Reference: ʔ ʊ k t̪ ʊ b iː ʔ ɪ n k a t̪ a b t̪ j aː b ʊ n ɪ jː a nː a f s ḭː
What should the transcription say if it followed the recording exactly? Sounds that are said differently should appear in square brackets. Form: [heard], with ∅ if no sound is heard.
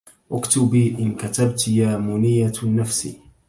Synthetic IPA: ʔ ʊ k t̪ ʊ b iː ʔ ɪ n k a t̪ a b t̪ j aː [m] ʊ n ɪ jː a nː a f s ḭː